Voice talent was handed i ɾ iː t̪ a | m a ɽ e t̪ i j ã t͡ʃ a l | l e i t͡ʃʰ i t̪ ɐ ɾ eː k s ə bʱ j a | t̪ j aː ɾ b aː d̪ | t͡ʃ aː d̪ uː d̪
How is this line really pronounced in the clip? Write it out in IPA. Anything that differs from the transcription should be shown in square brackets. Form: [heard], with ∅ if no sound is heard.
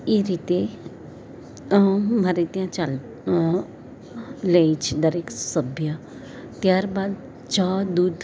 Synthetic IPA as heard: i ɾ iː t̪ [e] | m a [ɾ] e t̪ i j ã t͡ʃ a l | l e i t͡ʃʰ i [d̪] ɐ ɾ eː k s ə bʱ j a | t̪ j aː ɾ b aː d̪ | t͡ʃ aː d̪ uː d̪

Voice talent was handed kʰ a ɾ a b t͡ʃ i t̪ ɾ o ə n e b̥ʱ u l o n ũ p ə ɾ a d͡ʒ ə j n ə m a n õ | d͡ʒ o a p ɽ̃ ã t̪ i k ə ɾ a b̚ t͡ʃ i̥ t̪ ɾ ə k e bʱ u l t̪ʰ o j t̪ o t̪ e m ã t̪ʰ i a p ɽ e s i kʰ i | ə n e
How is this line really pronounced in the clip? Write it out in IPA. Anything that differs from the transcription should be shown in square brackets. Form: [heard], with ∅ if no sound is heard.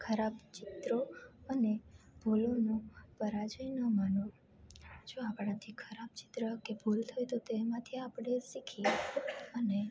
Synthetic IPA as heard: kʰ [ə] ɾ a b t͡ʃ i t̪ ɾ o ə n e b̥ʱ u l o n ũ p ə ɾ a d͡ʒ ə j n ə m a n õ | d͡ʒ o a p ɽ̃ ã [t̪ʰ] i [kʰ] ə ɾ a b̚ t͡ʃ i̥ t̪ ɾ ə k e bʱ u l t̪ʰ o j t̪ o t̪ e m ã t̪ʰ i a p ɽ e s i kʰ i | ə n e

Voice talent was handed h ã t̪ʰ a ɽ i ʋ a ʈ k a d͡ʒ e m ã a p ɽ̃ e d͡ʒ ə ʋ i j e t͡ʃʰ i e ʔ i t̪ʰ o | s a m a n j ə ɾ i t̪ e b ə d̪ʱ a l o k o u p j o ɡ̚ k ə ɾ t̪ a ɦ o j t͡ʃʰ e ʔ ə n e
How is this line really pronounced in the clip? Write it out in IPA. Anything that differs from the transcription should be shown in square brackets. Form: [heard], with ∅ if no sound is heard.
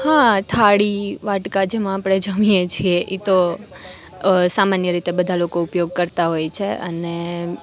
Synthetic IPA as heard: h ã t̪ʰ a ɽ i ʋ a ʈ k a d͡ʒ e m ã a p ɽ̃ e d͡ʒ ə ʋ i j e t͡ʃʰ i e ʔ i [t̪] o | s a m a n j ə ɾ i t̪ e b ə d̪ʱ a l o k o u p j o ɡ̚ k ə ɾ t̪ a ɦ o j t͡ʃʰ e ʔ ə n e

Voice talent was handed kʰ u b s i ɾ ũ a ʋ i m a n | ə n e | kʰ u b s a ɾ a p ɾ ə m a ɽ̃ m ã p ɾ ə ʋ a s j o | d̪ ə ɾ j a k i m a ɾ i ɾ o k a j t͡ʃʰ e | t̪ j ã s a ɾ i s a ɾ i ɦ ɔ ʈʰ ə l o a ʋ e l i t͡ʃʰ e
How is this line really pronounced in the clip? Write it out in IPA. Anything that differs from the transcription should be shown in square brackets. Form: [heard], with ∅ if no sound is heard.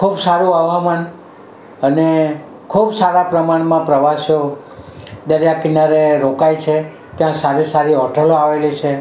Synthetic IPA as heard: kʰ u b s [a] ɾ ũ a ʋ [a] m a n | ə n e | kʰ u b s a ɾ a p ɾ ə m a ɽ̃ m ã p ɾ ə ʋ a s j o | d̪ ə ɾ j a k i [n] a ɾ [e] ɾ o k a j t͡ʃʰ e | t̪ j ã s a ɾ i s a ɾ i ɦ ɔ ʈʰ ə l o a ʋ e l i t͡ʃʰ e

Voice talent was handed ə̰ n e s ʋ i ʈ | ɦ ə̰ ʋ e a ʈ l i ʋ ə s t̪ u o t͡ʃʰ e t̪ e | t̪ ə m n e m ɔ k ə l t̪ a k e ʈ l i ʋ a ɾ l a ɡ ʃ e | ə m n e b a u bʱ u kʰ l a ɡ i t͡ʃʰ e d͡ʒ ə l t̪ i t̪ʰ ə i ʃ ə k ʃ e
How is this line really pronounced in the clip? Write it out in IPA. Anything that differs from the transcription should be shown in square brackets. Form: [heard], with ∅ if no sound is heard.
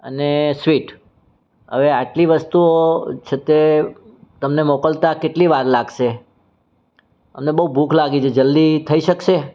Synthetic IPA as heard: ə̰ n e s ʋ i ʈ | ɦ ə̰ ʋ e a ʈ l i ʋ ə s t̪ u o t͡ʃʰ e t̪ e | t̪ ə m n e m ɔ k ə l t̪ a k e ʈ l i ʋ a ɾ l a ɡ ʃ e | ə m n e b [ə] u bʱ u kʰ l a ɡ i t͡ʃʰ e d͡ʒ ə l [d̪] i t̪ʰ ə i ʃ ə k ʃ e

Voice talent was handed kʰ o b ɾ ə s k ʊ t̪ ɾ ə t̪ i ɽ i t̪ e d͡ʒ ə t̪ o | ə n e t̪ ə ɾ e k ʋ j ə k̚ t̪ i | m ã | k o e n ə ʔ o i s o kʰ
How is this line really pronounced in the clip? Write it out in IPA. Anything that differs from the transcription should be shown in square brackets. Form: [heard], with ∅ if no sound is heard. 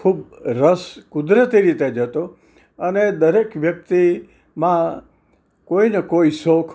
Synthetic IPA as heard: kʰ [u] b ɾ ə s k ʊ [d̪] ɾ ə t̪ i [ɾ] i t̪ e d͡ʒ ə t̪ o | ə n e [d̪] ə ɾ e k ʋ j ə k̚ t̪ i | m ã | k o [i] n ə [k] o i s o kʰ

